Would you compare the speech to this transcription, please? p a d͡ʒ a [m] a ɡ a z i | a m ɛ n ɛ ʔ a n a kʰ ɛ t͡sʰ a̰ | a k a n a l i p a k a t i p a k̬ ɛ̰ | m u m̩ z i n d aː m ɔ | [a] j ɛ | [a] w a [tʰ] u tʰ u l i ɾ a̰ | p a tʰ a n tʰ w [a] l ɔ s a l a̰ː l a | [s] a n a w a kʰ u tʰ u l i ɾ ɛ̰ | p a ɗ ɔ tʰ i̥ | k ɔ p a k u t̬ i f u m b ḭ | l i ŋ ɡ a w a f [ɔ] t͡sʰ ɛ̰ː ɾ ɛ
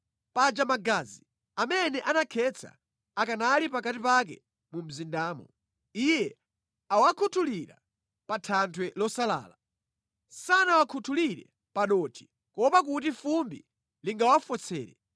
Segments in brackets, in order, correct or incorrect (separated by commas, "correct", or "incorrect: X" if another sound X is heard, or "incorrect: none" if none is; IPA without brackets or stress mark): correct, incorrect: i, correct, incorrect: kʰ, incorrect: ɛ, correct, correct